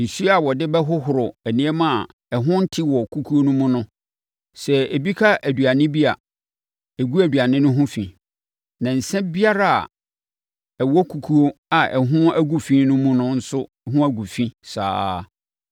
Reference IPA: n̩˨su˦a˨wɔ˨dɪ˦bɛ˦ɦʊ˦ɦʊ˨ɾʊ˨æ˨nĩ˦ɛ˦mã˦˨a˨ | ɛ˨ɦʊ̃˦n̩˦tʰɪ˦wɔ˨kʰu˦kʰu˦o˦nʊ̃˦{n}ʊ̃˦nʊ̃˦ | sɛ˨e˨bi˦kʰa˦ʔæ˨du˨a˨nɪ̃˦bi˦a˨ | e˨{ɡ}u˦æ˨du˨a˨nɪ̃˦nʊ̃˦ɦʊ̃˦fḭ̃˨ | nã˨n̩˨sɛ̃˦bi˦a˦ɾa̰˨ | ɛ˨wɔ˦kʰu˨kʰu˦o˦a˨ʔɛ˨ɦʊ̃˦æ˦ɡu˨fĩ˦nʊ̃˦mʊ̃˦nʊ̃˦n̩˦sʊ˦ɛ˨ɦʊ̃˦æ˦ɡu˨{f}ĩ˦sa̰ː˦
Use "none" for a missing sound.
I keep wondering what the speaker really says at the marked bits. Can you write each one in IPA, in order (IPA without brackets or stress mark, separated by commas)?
m, ɡ, f